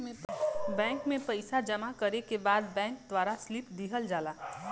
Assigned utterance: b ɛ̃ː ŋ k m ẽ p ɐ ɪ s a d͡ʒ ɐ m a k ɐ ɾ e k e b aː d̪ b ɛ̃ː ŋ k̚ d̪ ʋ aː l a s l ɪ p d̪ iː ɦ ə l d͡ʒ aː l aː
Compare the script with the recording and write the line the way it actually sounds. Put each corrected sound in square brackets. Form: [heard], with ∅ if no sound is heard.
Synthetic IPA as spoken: b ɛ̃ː ŋ k m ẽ p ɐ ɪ s a d͡ʒ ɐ m a k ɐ ɾ e k e b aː d̪ b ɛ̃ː ŋ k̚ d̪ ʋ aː [ɾ] a s l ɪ p d̪ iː ɦ ə l d͡ʒ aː l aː